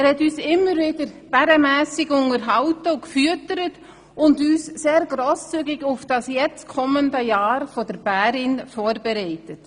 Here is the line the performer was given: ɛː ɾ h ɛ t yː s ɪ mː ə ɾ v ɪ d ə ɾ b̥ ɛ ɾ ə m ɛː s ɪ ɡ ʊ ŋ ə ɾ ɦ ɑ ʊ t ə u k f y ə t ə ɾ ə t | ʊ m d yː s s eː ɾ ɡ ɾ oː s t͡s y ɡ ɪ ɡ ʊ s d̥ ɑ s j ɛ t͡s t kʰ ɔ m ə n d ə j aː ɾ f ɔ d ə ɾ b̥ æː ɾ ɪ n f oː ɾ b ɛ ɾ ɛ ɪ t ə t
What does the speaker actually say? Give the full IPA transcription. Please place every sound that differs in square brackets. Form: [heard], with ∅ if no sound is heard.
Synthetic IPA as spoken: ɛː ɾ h ɛ t yː s ɪ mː ə ɾ v ɪ d ə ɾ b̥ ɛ ɾ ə m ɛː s ɪ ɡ ʊ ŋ ə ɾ ɦ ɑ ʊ t ə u k f y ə t ə ɾ ə t | ʊ [n] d yː s s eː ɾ ɡ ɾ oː s t͡s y ɡ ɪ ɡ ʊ [f] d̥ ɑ s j ɛ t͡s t kʰ ɔ m ə n d ə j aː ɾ f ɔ d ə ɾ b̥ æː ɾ ɪ n f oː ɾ b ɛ ɾ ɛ ɪ t ə t